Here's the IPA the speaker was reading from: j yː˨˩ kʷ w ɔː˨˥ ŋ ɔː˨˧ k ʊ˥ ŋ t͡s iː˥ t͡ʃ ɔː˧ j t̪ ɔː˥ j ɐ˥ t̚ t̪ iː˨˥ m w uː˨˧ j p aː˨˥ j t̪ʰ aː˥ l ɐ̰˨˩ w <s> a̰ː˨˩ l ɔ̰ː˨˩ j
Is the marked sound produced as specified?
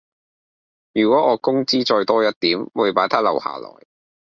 no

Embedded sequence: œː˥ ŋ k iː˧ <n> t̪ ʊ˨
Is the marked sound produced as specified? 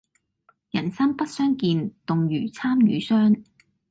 yes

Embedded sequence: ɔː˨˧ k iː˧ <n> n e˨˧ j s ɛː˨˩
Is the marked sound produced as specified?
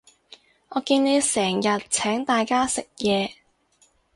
yes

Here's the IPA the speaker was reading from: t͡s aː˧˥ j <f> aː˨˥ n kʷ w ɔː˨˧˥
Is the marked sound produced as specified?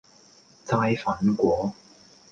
yes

